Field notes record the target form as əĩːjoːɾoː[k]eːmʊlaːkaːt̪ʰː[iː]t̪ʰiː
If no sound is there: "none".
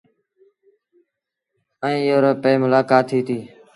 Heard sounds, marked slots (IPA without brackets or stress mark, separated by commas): p, iː